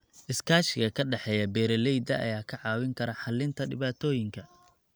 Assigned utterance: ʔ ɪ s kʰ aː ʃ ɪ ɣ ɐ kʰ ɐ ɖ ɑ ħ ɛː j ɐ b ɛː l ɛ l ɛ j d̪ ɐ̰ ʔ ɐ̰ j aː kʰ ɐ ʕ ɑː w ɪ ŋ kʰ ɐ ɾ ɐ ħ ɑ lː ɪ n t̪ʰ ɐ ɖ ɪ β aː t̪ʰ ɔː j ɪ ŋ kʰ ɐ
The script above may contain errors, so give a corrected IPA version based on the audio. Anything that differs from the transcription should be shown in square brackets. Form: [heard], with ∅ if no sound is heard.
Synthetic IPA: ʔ ɪ s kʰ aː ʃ ɪ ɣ ɐ kʰ ɐ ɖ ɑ ħ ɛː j ɐ b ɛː [ɾ] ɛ l ɛ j d̪ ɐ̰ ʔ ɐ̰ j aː kʰ ɐ ʕ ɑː w ɪ ŋ kʰ ɐ ɾ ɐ ħ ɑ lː ɪ n t̪ʰ ɐ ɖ ɪ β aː t̪ʰ ɔː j ɪ ŋ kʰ ɐ